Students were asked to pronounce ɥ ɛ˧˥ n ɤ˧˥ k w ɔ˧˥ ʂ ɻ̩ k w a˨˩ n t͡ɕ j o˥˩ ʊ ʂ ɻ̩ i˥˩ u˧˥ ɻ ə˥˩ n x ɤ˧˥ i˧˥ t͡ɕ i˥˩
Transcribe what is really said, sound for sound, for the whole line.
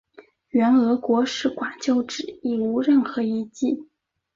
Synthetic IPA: ɥ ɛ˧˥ n ɤ˧˥ k w ɔ˧˥ ʂ ɻ̩ k w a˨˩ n t͡ɕ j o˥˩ ʊ ʈ͡ʂ ɻ̩ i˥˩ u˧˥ ɻ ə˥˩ n x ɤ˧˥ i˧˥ t͡ɕ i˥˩